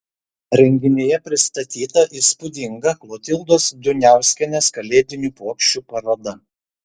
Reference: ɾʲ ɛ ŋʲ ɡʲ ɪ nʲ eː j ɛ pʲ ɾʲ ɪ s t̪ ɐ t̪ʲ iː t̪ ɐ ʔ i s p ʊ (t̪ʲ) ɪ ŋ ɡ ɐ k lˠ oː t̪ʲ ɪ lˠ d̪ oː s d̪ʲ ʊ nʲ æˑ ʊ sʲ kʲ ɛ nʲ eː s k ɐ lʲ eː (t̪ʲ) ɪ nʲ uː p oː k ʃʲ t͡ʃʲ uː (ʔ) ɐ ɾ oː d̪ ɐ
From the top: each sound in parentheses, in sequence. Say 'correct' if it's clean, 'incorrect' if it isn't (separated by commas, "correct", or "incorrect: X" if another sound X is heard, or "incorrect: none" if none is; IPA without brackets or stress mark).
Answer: incorrect: d̪ʲ, incorrect: d̪ʲ, incorrect: p